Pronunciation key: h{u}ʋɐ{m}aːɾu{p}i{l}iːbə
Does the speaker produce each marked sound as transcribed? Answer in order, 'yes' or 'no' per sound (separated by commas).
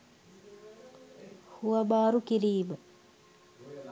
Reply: yes, no, no, no